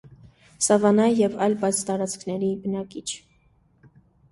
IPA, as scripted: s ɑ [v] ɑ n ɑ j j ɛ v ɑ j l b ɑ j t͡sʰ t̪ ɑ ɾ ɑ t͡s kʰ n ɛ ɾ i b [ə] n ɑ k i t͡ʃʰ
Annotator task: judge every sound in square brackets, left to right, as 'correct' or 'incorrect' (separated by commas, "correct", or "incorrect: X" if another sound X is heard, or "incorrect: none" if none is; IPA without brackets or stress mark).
correct, correct